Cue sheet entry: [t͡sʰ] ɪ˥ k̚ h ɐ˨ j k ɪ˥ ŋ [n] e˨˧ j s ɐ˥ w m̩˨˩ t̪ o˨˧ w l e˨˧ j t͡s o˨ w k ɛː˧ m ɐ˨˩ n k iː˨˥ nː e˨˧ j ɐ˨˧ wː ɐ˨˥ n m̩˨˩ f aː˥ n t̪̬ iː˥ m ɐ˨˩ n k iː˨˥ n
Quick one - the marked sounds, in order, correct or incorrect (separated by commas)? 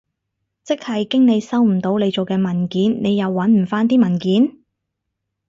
incorrect, correct